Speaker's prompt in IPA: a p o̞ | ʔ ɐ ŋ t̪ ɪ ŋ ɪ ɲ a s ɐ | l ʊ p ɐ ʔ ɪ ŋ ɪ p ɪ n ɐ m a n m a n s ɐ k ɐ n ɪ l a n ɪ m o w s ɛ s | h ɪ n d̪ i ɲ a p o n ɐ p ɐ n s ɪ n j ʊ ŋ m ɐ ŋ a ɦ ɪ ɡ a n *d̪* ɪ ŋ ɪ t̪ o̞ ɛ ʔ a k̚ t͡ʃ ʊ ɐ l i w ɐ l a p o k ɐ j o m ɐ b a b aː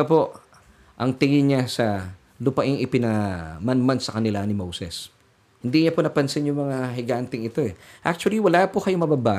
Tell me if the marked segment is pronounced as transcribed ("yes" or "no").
no